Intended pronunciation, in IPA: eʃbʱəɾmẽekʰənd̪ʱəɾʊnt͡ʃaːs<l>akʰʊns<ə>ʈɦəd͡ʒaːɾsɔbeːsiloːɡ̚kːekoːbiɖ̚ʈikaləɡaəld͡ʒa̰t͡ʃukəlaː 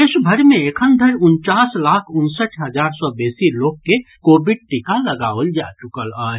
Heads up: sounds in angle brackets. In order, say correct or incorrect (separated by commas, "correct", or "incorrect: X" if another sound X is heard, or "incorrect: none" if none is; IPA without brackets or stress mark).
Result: correct, correct